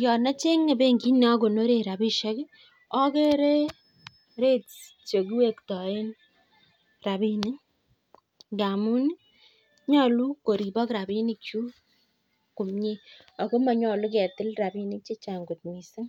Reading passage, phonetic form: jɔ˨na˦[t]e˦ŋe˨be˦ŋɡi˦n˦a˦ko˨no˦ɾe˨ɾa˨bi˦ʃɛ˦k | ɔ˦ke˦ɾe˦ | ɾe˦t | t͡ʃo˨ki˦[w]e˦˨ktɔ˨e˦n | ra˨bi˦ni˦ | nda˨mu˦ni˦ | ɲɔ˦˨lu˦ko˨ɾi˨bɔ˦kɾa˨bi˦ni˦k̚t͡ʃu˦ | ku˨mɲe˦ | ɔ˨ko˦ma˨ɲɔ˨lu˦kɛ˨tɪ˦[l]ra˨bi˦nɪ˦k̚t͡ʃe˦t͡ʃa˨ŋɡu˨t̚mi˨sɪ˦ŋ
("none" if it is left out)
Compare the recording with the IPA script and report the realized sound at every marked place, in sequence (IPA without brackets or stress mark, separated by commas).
t͡ʃ, w, l